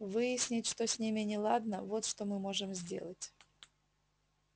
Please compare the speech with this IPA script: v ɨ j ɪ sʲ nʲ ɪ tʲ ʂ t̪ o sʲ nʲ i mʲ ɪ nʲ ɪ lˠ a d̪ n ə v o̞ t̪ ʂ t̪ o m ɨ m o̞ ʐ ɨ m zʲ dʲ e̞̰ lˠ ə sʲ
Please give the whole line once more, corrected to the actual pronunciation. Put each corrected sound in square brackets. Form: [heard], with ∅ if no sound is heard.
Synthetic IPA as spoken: v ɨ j ɪ sʲ nʲ ɪ tʲ ʂ t̪ o sʲ nʲ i mʲ ɪ nʲ ɪ lˠ a d̪ n ə v o̞ t̪ ʂ t̪ o m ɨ m o̞ ʐ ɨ m zʲ dʲ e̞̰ lˠ ə [tʲ]